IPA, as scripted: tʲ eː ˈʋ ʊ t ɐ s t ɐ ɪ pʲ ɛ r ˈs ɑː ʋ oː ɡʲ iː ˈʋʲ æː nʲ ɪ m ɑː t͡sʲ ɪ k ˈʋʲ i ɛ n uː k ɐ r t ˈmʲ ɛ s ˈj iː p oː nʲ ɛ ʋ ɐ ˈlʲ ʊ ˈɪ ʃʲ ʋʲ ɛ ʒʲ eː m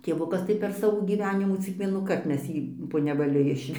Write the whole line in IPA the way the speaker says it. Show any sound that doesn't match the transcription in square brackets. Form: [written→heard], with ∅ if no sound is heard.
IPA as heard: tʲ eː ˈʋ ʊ [t→k] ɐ s t ɐ ɪ pʲ ɛ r ˈs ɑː ʋ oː ɡʲ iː ˈʋʲ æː nʲ ɪ m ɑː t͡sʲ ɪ k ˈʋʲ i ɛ n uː k ɐ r t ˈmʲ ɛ s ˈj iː p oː nʲ ɛ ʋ ɐ ˈlʲ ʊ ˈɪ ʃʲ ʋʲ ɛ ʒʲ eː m